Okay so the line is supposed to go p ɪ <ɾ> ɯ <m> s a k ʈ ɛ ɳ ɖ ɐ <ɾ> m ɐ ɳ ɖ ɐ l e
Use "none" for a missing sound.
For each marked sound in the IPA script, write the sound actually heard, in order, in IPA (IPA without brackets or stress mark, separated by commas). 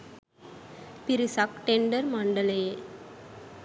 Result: ɾ, none, ɾ